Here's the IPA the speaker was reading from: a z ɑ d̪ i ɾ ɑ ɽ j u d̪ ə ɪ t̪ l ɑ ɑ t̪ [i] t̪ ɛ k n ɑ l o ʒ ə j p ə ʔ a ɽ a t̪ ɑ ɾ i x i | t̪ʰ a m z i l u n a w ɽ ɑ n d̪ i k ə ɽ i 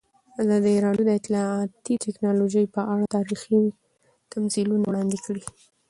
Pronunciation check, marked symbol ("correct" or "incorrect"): correct